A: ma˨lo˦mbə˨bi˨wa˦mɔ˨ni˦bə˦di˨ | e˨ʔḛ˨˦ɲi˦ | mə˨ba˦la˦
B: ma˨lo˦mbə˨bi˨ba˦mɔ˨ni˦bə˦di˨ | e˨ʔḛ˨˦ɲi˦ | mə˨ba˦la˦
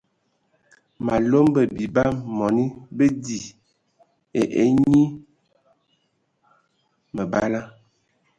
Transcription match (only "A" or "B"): B